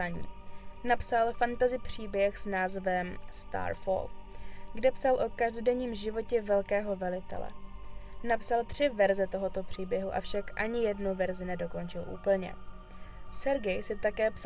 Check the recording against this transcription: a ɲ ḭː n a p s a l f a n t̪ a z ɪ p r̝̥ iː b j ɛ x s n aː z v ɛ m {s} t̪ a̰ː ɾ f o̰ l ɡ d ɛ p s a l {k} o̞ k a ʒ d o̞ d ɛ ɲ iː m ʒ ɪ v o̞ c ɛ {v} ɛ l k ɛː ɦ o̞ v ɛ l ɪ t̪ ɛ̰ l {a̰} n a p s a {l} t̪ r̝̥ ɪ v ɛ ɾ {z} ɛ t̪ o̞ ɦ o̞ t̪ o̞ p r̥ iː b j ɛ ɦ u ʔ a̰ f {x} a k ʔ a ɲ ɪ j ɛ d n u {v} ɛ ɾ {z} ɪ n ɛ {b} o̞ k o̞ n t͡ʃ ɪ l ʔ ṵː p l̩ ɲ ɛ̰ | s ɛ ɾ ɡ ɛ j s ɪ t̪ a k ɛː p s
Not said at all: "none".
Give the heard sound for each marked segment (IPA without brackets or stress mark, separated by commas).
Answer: s, ʔ, v, ɛ̰, l, z, ʃ, v, z, d